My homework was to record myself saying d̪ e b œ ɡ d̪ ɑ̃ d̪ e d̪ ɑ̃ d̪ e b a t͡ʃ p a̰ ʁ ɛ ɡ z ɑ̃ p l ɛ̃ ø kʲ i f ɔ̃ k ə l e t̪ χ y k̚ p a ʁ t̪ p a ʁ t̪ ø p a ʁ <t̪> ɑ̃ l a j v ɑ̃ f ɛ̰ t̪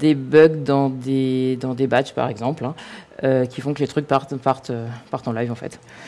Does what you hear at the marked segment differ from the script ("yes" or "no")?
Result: no